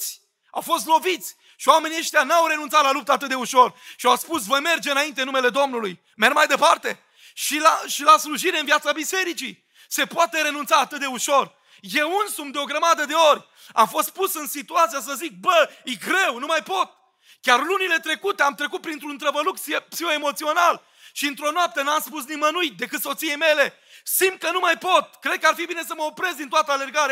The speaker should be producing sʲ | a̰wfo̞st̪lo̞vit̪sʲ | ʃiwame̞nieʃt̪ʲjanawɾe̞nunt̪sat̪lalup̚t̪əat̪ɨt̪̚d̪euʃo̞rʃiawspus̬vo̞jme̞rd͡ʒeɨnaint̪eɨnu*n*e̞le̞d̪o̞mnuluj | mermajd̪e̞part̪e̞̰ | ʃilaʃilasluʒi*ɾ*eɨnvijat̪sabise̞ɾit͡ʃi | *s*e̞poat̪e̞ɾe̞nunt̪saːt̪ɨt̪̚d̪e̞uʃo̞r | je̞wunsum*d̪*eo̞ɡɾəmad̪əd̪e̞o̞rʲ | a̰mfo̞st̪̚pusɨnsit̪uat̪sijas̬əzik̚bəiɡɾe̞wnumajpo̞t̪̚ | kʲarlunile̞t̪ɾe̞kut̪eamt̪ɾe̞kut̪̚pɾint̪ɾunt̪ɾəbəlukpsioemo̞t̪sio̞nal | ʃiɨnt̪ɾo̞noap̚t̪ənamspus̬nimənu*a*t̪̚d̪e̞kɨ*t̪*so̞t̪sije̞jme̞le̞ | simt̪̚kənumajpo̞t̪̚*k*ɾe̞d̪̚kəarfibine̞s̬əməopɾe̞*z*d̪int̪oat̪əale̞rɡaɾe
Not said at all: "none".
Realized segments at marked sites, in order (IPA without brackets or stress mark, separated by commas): m, ɾ, s, d̪, i, t̪, k, z